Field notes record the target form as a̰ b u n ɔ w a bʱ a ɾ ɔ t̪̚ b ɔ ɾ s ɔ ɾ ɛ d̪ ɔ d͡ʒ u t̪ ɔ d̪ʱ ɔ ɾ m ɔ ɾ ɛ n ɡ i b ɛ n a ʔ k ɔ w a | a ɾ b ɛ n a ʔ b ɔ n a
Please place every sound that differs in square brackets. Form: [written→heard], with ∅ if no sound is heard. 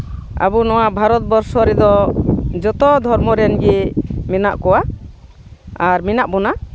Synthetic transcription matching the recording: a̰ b u n ɔ w a bʱ a ɾ ɔ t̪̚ b ɔ ɾ s ɔ ɾ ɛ d̪ ɔ d͡ʒ [u→ɔ] t̪ ɔ d̪ʱ ɔ ɾ m ɔ ɾ ɛ n ɡ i [b→m] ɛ n a ʔ k ɔ w a | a ɾ [b→m] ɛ n a ʔ b ɔ n a